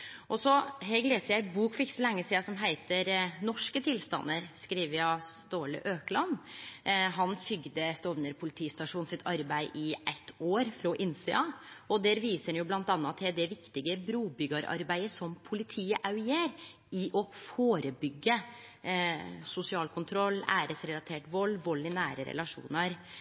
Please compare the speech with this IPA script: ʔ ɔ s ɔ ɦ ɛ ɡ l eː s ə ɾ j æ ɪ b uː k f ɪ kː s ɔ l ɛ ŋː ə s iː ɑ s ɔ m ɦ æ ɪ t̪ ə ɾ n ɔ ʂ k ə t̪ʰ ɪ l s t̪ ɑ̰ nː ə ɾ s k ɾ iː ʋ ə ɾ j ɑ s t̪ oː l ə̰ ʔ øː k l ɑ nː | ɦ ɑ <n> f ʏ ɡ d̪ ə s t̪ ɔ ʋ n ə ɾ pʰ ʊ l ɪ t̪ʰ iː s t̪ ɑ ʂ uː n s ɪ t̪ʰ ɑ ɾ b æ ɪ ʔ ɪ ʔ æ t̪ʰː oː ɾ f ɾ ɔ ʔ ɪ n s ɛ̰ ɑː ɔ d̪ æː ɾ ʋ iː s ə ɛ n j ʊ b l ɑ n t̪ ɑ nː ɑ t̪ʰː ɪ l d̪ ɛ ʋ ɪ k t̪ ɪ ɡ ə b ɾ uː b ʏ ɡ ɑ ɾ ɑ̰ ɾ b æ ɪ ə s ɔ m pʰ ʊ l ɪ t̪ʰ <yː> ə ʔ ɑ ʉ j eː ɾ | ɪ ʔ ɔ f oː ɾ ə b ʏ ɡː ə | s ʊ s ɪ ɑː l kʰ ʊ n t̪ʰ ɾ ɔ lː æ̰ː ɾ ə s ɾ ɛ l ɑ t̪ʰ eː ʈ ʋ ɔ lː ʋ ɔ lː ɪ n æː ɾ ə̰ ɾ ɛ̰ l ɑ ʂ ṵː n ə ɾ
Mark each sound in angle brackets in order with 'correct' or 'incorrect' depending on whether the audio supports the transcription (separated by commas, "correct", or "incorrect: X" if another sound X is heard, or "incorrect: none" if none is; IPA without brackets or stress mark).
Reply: correct, incorrect: iː